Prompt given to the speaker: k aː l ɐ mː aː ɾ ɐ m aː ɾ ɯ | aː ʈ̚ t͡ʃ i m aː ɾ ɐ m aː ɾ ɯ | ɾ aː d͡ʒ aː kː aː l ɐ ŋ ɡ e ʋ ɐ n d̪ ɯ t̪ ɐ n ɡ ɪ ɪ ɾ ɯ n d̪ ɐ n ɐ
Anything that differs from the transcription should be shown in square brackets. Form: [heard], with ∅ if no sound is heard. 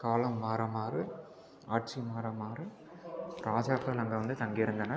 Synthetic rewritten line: k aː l ɐ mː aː ɾ ɐ m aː ɾ ɯ | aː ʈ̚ t͡ʃ i m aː ɾ ɐ m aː ɾ ɯ | ɾ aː d͡ʒ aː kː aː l ɐ ŋ ɡ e ʋ ɐ n d̪ ɯ t̪ ɐ [ŋ] ɡ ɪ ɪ ɾ ɯ n d̪ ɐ n ɐ